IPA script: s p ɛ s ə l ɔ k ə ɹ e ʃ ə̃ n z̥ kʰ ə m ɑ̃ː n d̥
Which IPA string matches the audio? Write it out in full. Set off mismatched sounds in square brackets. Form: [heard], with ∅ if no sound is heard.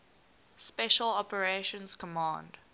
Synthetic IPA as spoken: s p ɛ [ʃ] ə l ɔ [p] ə ɹ e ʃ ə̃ n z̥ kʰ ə m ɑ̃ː n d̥